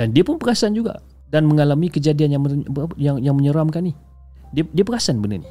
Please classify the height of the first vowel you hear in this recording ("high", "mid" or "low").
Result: low